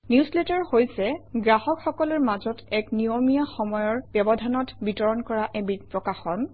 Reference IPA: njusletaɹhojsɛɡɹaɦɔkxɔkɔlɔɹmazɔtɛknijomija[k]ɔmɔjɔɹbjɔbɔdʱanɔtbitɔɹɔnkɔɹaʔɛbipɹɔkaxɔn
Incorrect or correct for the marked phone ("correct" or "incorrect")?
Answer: incorrect